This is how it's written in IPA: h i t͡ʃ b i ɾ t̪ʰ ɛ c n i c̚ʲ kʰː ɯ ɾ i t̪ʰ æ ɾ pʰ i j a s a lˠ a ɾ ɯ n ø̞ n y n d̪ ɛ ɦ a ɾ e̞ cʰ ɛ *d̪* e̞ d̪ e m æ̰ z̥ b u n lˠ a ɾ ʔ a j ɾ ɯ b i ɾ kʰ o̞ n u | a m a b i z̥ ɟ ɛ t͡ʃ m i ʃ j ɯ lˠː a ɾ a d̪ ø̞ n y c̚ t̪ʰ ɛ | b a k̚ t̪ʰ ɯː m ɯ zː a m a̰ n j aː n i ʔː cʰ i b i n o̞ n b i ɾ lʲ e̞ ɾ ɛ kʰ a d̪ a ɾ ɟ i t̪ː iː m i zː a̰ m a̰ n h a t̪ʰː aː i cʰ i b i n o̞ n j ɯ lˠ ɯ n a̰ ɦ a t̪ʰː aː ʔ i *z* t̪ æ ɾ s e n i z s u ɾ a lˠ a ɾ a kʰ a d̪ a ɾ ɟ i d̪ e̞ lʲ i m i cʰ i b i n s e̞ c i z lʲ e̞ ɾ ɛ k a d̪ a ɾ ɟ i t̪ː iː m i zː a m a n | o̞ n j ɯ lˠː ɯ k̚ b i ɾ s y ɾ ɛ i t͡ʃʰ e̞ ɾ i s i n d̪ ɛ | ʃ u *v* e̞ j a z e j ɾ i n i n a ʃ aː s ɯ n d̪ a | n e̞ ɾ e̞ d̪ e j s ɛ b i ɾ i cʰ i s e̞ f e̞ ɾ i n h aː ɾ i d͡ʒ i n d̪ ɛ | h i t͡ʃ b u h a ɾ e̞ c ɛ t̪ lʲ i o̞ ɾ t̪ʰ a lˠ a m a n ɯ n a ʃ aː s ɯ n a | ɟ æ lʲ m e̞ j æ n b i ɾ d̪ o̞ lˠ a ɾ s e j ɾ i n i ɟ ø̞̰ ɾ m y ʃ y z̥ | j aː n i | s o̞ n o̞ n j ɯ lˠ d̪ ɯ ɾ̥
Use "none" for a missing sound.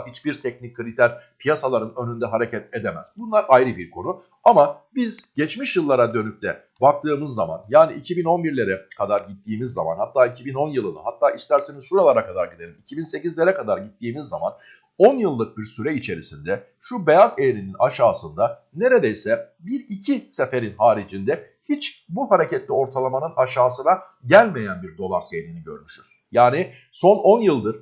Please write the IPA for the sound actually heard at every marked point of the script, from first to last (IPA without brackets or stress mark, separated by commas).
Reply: t̪, s, b